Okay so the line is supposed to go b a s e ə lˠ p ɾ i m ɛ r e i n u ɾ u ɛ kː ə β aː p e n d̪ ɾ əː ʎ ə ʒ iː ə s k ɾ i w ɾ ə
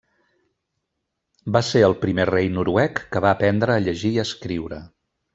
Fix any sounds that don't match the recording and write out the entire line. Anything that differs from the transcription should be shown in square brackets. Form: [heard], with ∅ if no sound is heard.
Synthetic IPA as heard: b a s e ə lˠ p ɾ i m [e] r e [j] n u ɾ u ɛ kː ə β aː p [ɛ] n d̪ ɾ əː ʎ ə ʒ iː ə s k ɾ i w ɾ ə